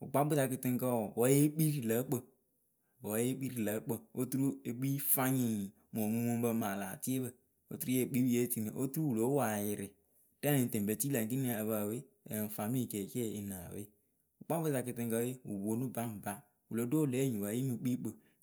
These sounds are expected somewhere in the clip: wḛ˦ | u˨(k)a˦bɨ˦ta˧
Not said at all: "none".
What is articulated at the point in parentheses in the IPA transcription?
k͡p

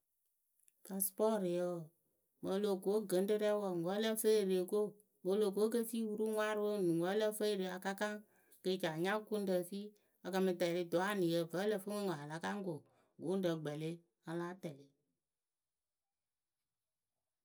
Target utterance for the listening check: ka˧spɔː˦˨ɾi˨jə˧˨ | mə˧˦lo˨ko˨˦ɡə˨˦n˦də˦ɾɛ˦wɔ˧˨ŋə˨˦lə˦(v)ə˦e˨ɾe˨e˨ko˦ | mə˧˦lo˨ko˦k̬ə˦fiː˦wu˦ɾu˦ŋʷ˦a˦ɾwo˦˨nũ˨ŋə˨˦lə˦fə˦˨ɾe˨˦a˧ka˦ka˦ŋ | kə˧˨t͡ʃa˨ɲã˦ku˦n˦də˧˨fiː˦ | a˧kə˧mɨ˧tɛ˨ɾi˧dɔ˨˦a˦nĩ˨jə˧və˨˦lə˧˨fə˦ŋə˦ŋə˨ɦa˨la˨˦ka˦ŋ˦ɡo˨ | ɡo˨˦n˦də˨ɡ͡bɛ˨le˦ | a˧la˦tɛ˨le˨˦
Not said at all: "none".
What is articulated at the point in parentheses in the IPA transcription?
f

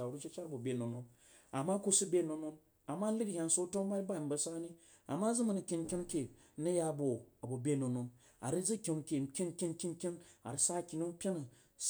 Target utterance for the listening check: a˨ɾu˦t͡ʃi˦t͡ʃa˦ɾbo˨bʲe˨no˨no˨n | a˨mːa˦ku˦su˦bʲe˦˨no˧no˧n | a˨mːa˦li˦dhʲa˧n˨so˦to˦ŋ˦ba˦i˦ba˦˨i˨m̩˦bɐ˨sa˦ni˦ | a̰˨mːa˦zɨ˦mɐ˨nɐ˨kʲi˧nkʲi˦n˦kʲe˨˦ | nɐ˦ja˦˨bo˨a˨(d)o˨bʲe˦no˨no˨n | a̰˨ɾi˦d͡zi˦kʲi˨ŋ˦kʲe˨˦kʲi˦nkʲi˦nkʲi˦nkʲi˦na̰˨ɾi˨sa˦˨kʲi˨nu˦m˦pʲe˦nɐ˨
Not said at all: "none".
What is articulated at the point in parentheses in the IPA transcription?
b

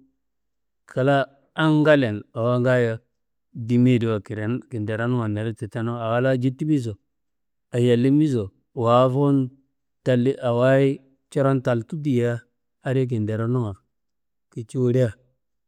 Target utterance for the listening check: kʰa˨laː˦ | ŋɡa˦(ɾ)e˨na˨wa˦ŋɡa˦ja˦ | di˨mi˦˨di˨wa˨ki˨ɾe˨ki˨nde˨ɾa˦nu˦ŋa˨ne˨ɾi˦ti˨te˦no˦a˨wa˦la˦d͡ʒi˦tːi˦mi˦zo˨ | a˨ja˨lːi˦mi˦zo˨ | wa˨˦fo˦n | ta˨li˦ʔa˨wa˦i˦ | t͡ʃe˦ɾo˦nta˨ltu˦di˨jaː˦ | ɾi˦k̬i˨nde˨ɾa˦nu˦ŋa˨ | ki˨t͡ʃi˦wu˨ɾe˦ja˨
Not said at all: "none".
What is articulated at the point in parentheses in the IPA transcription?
l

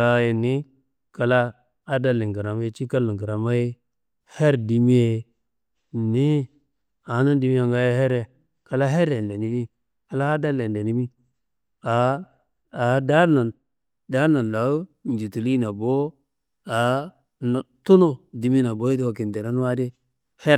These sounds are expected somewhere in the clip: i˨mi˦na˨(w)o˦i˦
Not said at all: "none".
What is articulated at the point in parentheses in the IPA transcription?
b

